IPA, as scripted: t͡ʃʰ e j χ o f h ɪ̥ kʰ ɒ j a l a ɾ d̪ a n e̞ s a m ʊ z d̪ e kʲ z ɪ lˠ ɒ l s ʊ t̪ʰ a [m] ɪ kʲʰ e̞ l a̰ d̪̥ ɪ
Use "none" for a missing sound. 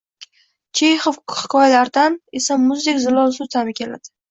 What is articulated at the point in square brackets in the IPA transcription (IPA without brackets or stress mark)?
m